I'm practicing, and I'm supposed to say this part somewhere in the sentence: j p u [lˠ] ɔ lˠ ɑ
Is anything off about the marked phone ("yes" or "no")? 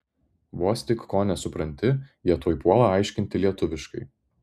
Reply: yes